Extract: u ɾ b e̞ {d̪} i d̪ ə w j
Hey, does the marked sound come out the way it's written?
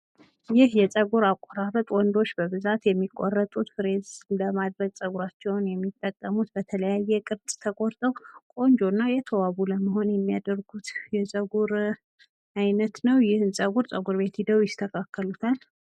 no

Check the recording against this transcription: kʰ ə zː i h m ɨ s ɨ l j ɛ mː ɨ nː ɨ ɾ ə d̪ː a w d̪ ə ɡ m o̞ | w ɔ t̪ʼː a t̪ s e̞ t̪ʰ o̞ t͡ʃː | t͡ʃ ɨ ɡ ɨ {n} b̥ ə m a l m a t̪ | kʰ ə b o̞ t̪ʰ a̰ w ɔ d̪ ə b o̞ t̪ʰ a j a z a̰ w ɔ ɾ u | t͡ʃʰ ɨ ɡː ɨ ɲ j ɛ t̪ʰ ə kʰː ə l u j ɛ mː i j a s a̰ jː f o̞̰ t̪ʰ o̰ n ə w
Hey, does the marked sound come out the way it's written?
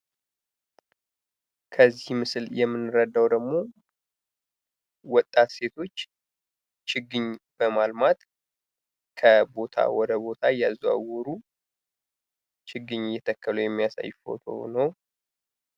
no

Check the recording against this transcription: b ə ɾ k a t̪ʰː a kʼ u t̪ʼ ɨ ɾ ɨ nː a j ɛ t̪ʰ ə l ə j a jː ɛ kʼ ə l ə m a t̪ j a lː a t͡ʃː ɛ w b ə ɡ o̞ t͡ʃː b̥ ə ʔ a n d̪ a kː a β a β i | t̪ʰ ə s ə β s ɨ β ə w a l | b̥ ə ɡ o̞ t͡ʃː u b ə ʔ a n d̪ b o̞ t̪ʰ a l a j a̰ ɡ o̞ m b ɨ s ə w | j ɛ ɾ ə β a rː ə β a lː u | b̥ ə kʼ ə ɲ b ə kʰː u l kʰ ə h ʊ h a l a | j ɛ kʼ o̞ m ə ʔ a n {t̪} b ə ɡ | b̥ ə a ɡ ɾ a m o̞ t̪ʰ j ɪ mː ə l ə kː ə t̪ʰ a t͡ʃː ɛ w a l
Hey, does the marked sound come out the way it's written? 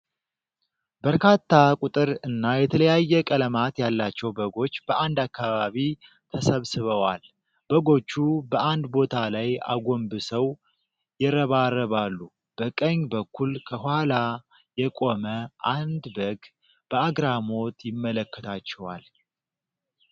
no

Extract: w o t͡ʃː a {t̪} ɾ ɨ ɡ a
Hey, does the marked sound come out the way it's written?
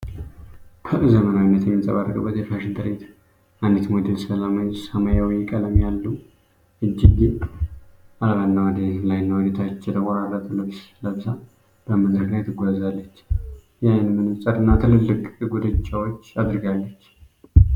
no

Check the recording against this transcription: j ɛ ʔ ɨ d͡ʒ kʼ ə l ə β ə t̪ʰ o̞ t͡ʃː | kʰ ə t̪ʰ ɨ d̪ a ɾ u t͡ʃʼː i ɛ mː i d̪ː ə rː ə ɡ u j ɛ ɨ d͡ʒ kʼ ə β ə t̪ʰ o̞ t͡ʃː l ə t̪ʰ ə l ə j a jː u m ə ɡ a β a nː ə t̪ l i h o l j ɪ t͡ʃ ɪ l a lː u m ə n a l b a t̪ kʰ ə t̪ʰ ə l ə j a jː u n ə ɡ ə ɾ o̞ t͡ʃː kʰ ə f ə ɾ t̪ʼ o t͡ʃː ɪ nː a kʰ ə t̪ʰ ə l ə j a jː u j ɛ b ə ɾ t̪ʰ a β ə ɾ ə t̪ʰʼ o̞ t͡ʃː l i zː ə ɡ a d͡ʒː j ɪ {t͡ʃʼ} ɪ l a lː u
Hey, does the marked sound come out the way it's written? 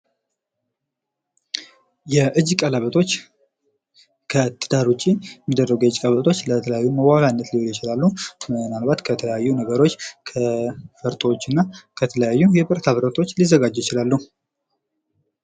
no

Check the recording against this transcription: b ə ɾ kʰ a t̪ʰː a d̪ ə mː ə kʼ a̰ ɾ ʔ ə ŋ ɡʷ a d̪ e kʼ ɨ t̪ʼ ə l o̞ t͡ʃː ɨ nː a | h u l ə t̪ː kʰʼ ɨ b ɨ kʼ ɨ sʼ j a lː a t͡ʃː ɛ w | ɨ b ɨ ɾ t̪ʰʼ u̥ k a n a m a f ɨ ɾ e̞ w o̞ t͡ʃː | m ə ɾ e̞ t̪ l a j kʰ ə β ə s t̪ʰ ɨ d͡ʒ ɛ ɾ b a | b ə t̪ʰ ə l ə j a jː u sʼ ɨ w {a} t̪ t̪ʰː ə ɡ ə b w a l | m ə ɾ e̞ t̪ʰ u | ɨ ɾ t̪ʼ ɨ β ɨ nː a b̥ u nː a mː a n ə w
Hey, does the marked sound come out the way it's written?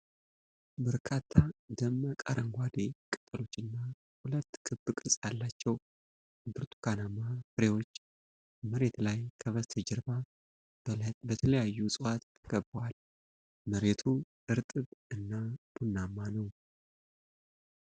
yes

